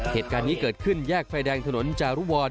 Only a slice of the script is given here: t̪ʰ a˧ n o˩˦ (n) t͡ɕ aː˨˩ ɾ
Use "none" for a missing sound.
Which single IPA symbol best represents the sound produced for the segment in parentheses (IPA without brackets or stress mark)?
n